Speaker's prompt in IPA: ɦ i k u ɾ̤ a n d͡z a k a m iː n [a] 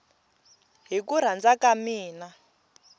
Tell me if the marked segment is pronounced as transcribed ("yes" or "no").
yes